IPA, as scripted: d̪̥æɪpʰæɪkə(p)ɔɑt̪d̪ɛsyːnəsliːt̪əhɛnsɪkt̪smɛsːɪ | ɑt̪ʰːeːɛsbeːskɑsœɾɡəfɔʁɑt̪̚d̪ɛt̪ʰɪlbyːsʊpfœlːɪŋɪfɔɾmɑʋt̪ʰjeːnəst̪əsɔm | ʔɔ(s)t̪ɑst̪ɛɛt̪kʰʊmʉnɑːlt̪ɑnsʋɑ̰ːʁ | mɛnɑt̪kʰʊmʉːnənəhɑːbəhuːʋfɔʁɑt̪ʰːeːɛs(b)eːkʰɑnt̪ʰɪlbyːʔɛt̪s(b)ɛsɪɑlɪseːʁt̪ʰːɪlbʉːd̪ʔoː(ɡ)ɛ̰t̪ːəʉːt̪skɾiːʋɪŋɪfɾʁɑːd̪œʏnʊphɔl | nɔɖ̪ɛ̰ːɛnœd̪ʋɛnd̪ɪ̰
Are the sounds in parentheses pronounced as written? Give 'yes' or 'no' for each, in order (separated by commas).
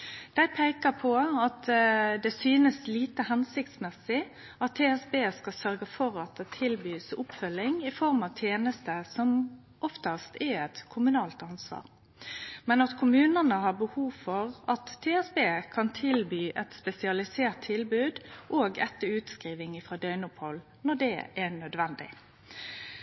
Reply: no, no, yes, no, yes